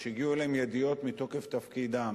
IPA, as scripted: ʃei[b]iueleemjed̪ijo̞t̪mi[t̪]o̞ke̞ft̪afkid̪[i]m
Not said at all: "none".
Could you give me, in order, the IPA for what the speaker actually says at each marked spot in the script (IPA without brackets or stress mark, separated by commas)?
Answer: ɡ, t̪, a